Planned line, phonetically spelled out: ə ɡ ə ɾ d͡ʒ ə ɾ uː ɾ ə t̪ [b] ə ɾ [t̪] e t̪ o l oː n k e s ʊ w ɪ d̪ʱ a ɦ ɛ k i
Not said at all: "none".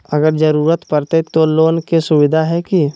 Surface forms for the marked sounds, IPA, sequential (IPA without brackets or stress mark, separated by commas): p, t̪